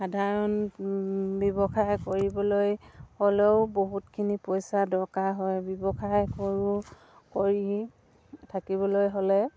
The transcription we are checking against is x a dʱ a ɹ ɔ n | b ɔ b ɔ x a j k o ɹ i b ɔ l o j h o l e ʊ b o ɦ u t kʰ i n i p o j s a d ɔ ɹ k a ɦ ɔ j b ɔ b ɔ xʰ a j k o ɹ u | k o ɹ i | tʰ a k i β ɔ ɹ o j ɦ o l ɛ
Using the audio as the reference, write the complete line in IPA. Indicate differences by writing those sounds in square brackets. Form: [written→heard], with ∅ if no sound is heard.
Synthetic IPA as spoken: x a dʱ a ɹ ɔ n | b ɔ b ɔ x a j k o ɹ i b ɔ l o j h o l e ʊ b o ɦ u t kʰ i n i p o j s a d ɔ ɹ k a ɦ ɔ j b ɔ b ɔ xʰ a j k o ɹ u | k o ɹ i | tʰ a k i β ɔ [ɹ→l] o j ɦ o l ɛ